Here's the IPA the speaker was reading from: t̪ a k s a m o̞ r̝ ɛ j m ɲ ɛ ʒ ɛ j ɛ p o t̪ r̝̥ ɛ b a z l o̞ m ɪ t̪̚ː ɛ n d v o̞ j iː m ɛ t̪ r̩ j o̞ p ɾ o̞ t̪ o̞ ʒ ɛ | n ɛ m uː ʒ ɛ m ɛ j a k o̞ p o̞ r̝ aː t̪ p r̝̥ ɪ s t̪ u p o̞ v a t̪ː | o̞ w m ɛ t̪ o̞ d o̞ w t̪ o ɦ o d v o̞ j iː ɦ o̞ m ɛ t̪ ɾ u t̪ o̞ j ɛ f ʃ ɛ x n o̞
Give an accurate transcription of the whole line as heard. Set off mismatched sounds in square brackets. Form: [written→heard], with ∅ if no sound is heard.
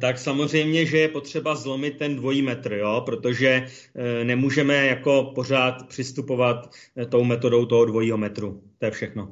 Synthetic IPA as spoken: t̪ a k s a m o̞ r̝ ɛ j m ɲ ɛ ʒ ɛ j ɛ p o t̪ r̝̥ ɛ b a z l o̞ m ɪ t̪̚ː ɛ n d v o̞ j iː m ɛ t̪ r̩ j o̞ p ɾ o̞ t̪ o̞ ʒ ɛ | n ɛ m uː ʒ ɛ m ɛ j a k o̞ p o̞ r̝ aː t̪ p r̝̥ ɪ s t̪ u p o̞ v a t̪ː | o̞ w m ɛ t̪ o̞ d o̞ w t̪ o ɦ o d v o̞ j iː ɦ o̞ m ɛ t̪ ɾ u t̪ o̞ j ɛ f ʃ ɛ x n o̞